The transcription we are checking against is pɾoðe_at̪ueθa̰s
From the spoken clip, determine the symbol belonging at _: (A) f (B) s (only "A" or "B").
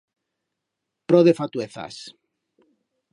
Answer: A